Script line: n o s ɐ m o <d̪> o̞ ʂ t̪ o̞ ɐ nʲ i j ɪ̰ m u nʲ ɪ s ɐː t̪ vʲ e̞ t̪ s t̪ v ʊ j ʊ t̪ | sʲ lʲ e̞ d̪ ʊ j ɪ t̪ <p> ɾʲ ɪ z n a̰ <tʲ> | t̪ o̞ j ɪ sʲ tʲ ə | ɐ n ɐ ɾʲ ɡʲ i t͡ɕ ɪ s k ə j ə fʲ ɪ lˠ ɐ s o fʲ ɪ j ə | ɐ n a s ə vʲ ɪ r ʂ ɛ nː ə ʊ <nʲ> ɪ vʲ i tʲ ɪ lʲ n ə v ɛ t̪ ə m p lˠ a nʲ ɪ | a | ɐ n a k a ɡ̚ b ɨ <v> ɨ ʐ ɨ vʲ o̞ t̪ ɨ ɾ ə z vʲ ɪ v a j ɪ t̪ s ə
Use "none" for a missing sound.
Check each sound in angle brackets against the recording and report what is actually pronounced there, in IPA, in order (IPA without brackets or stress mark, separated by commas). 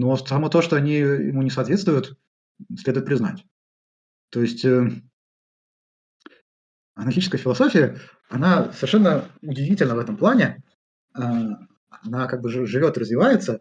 t̪, p, tʲ, dʲ, ʐ